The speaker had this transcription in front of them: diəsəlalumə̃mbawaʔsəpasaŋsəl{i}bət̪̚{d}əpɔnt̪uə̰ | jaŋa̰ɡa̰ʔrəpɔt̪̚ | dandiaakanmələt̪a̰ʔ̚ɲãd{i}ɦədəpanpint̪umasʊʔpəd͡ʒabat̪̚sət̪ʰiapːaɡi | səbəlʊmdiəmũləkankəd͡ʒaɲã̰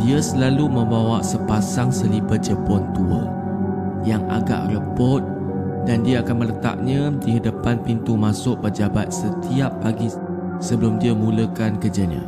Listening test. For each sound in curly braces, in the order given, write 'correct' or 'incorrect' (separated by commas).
correct, incorrect, correct